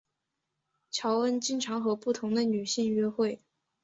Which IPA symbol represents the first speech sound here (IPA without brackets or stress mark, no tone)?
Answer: t͡ɕʰ